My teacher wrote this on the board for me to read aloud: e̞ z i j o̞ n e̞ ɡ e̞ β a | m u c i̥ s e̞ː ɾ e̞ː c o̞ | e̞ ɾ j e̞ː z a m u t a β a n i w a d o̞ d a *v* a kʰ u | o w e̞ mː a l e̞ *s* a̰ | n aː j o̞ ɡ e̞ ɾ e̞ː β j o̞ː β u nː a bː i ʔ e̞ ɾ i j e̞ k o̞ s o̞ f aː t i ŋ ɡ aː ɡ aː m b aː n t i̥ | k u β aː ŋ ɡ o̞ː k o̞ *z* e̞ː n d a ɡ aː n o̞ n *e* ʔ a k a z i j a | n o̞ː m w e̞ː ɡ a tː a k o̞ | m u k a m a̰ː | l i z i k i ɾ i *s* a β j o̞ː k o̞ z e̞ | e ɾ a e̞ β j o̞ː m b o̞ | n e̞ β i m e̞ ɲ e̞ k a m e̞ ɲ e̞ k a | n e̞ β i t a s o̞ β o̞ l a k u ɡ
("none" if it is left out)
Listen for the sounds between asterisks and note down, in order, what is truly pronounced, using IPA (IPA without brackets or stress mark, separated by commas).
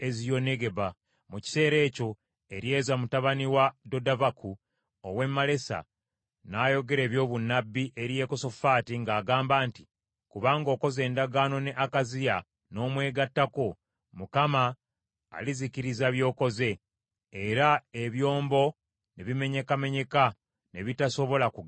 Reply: v, s, z, e, z